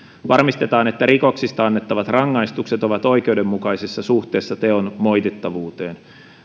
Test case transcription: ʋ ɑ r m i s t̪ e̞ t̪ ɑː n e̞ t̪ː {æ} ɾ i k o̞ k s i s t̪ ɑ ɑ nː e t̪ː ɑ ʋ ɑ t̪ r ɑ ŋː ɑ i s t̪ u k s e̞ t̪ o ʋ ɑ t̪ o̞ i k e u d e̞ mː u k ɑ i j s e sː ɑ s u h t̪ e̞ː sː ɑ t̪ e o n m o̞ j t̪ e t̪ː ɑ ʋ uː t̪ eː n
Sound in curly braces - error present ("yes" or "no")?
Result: no